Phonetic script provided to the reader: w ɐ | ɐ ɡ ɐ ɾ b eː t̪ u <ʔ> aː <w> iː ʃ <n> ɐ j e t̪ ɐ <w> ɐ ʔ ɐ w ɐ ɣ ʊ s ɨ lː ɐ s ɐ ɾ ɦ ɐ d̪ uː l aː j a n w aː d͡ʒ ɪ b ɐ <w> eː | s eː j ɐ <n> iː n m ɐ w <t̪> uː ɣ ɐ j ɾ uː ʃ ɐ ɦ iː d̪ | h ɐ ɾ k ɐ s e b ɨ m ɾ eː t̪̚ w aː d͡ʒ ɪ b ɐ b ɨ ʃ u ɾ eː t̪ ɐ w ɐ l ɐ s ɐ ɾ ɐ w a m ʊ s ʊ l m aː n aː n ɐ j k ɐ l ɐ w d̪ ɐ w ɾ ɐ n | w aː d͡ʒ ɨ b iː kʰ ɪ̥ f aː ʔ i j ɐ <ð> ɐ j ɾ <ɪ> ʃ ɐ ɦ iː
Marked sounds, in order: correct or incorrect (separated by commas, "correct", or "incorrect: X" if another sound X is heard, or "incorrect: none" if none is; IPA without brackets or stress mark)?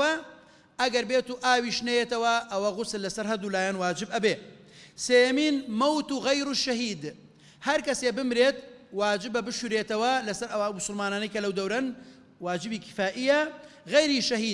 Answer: correct, correct, correct, correct, incorrect: b, incorrect: m, correct, incorrect: ɣ, incorrect: i